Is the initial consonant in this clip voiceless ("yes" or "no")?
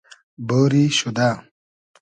no